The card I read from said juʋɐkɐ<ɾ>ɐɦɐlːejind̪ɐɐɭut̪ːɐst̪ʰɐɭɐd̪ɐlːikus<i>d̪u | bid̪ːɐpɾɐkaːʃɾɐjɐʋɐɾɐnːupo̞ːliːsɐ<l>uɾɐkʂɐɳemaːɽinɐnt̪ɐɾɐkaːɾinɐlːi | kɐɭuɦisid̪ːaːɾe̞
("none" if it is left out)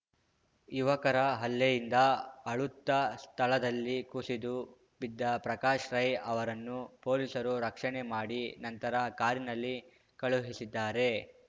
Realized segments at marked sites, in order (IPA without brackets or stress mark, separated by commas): ɾ, i, ɾ